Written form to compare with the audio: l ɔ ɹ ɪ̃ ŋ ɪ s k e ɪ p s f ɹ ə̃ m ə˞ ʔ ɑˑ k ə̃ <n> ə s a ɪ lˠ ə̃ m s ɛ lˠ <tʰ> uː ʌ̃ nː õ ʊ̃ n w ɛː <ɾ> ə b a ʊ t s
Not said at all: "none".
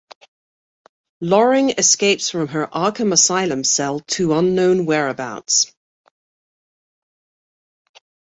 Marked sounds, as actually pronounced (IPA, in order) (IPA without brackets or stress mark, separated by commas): m, tʰ, ɹ